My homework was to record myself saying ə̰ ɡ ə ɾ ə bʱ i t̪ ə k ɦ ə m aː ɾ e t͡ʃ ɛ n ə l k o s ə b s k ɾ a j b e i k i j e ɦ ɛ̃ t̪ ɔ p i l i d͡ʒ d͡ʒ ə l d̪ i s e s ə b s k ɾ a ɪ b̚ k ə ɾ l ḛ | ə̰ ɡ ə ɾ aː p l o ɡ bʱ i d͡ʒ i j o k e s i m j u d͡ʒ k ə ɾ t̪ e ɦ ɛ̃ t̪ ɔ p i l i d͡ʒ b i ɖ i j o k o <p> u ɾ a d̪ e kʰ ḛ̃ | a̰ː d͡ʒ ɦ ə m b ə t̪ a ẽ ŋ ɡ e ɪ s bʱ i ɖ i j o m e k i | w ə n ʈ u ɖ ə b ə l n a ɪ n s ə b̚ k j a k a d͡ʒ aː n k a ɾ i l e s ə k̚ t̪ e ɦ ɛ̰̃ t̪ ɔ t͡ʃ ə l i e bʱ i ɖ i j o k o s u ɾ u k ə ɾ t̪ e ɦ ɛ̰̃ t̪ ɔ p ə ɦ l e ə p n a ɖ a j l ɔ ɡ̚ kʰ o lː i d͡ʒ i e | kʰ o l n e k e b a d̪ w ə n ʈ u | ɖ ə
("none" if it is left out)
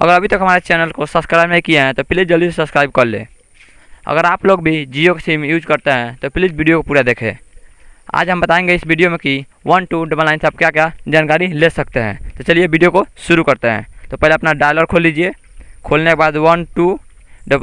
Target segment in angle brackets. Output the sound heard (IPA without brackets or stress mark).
p